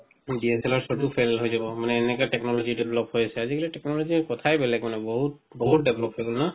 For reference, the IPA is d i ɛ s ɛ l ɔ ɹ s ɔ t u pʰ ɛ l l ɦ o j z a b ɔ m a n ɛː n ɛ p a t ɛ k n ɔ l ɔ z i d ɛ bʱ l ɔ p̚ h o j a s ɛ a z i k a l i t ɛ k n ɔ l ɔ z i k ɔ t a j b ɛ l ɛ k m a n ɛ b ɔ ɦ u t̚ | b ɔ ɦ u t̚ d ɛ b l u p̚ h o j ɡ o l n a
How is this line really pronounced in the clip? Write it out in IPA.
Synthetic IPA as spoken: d i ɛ s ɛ l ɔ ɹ s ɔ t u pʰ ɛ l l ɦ o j z a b ɔ m a n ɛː n ɛ k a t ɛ k n ɔ l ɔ z i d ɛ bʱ l ɔ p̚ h o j a s ɛ a z i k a l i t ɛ k n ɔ l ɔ z i k ɔ tʰ a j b ɛ l ɛ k m a n ɛ b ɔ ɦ u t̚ | b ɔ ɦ u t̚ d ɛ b l ɔ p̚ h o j ɡ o l n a